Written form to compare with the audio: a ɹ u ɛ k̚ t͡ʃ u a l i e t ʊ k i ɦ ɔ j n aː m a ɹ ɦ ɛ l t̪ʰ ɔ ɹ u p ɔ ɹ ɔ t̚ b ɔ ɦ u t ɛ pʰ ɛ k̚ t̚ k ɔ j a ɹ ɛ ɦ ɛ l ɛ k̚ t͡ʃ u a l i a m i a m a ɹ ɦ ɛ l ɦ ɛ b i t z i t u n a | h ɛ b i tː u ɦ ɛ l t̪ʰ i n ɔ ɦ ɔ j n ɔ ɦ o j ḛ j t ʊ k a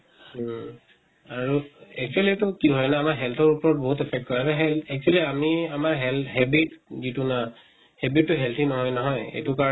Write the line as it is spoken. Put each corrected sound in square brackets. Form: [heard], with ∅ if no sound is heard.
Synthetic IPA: a ɹ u ɛ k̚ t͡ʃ u a l i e t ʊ k i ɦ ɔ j n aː m a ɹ ɦ ɛ l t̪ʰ ɔ ɹ u p ɔ ɹ ɔ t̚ b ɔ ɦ u t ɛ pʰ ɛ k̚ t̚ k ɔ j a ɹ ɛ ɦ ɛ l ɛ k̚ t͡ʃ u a l i a m i a m a ɹ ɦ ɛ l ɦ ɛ b i t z i t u n a | h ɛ b i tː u ɦ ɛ l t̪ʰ i n ɔ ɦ ɔ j n ɔ ɦ [ɔ] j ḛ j t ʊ k a

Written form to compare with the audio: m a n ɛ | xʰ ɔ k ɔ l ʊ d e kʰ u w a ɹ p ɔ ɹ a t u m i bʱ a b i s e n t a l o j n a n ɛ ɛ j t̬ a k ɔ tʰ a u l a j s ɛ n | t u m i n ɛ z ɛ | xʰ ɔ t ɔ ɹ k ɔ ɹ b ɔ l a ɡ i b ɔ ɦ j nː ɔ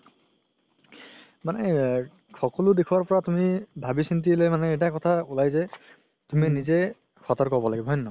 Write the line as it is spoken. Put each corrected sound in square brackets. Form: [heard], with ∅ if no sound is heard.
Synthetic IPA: m a n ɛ | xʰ ɔ k ɔ l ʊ d e kʰ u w a ɹ p ɔ ɹ a t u m i bʱ a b i s [i] n t [i] l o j [m] a n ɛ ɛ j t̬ a k ɔ tʰ a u l a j [z] ɛ [∅] | t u m i n [i] z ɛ | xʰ ɔ t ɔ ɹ k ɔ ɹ b ɔ l a ɡ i b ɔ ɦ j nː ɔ

